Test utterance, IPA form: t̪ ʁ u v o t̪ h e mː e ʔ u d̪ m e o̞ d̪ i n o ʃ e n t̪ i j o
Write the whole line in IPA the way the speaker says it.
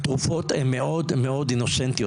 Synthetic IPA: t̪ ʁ u f o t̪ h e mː e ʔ o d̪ m e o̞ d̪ i n o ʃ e n t̪ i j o